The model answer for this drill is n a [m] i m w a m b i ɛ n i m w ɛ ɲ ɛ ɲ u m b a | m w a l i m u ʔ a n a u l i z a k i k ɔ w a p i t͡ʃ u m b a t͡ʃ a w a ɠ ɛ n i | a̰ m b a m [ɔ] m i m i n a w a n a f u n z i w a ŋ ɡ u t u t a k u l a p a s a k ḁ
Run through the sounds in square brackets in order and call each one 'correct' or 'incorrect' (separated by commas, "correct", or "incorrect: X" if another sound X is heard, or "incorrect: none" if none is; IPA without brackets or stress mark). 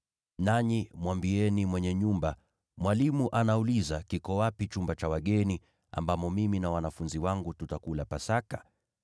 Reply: incorrect: ɲ, correct